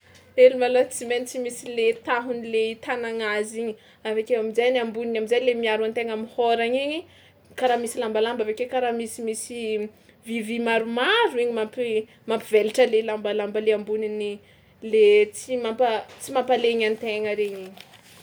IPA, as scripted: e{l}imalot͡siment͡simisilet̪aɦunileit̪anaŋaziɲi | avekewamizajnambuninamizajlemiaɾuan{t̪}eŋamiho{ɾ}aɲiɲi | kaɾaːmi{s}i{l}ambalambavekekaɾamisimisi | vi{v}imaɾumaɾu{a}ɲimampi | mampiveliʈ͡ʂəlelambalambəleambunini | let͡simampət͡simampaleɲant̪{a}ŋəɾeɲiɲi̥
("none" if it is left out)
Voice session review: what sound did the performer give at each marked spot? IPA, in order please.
l, t̪, ɾ, s, l, v, i, e

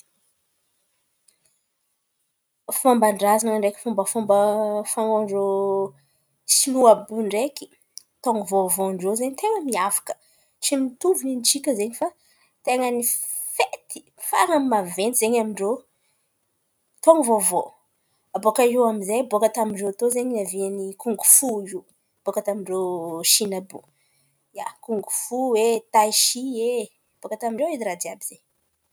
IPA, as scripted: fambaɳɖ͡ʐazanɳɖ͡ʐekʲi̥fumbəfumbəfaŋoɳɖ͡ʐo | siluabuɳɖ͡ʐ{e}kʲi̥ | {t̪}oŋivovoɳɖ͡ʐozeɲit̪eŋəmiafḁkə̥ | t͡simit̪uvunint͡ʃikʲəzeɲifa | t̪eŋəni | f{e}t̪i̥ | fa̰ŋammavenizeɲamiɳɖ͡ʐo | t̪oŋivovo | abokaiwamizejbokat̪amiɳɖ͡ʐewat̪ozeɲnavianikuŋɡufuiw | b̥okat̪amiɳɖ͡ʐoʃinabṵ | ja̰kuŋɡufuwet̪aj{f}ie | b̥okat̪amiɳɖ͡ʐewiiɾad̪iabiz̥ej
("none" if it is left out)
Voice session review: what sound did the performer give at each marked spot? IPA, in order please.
e, t̪, e, ʃ

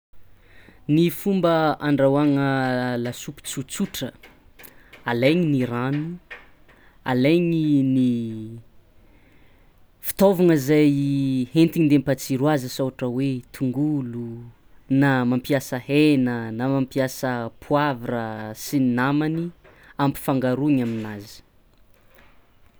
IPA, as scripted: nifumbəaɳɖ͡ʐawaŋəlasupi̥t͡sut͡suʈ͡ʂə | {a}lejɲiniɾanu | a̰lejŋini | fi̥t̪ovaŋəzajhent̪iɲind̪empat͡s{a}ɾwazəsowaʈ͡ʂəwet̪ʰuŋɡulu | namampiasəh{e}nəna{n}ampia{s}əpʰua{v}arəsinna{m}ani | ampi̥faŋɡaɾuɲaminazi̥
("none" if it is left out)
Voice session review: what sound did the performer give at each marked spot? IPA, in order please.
a, i, e, m, s, v, m

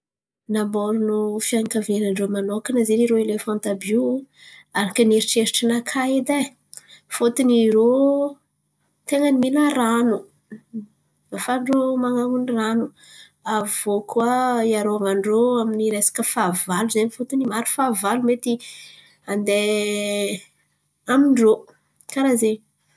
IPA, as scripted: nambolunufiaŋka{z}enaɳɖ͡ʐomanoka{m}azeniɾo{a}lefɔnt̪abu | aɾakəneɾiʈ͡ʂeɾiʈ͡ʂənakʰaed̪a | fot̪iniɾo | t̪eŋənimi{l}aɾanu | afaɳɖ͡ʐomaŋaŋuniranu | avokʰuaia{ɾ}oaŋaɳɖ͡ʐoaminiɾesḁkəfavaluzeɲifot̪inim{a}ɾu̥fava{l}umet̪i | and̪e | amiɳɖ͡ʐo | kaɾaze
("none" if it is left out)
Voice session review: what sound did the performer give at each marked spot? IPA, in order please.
v, n, e, l, ɾ, a, l

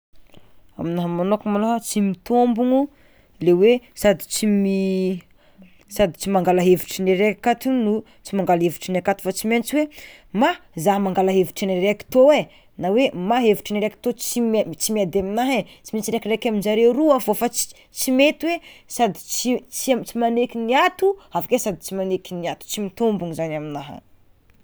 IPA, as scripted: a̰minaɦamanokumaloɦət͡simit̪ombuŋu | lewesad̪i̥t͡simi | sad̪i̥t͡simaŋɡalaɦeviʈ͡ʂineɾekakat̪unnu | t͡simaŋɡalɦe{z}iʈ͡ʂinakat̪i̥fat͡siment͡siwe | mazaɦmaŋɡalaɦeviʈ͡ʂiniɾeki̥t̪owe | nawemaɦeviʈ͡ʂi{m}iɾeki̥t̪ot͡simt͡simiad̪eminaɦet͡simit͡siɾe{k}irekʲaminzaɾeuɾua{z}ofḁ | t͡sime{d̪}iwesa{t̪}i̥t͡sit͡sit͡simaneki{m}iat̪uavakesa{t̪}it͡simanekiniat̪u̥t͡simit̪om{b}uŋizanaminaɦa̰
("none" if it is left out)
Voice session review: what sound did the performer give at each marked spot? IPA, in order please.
v, n, k, v, t̪, d̪, n, d̪, b

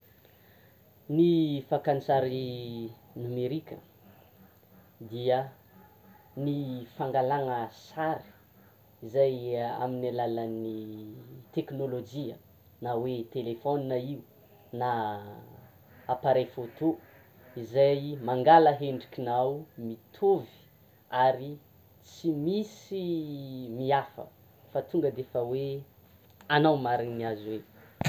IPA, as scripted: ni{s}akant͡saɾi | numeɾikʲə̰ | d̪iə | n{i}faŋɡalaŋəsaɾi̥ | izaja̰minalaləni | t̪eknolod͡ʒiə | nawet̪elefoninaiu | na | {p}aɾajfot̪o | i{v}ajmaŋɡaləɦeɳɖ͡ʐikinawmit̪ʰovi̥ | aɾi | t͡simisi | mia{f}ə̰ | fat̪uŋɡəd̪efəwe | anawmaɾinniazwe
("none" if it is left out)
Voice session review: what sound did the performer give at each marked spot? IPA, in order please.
f, i, p, z, f

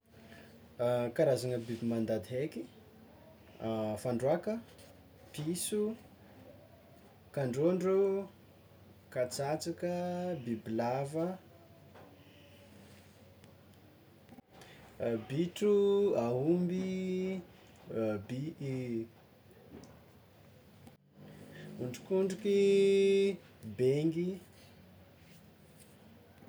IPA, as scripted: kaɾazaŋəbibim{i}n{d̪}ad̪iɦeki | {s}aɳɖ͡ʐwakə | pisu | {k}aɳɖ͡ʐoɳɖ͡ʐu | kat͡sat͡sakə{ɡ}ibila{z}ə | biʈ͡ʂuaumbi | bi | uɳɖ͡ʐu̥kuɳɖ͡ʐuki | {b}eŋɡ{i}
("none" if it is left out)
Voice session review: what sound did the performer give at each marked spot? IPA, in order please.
a, d̪, f, k, b, v, b, i

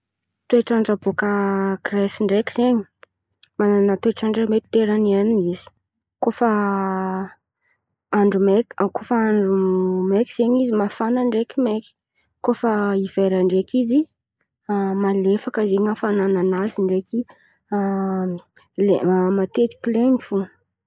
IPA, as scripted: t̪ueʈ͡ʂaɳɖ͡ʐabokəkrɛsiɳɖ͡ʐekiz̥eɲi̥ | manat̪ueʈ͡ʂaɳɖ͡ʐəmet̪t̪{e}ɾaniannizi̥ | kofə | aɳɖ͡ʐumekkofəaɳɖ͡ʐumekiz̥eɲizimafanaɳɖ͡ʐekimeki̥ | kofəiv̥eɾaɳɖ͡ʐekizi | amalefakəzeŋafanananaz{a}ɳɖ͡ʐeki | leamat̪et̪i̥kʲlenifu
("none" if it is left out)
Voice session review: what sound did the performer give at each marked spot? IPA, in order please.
e, i

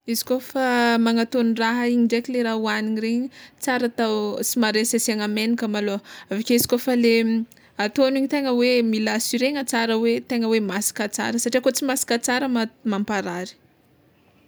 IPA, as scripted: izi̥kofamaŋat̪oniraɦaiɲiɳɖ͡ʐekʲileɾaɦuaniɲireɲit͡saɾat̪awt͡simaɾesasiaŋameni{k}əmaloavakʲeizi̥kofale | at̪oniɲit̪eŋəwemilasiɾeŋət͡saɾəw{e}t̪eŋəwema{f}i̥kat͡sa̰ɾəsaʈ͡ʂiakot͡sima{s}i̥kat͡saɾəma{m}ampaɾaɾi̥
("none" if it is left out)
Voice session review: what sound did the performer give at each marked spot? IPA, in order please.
k, e, s, s, m

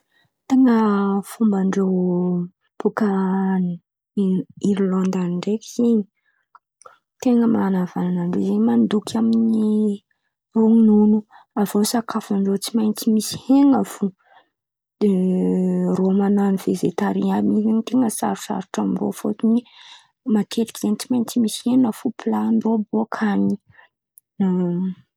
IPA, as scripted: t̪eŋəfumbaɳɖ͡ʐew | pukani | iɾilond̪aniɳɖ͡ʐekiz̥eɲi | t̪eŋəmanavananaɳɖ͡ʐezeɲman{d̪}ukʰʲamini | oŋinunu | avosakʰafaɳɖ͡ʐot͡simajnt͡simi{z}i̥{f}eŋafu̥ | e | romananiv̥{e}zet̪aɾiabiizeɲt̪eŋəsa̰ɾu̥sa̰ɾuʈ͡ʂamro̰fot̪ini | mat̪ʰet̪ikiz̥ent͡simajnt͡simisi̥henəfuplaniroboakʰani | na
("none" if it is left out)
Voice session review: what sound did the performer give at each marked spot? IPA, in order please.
d̪, s, h, e

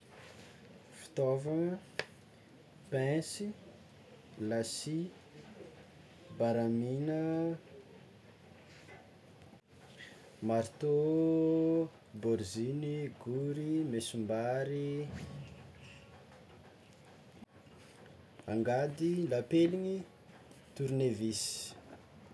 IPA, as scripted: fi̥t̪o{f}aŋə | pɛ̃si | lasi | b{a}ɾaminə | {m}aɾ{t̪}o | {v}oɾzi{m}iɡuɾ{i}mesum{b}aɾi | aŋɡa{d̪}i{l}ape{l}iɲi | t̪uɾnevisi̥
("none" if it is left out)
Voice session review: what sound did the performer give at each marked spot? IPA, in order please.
v, a, m, t̪, b, n, i, b, d̪, l, l

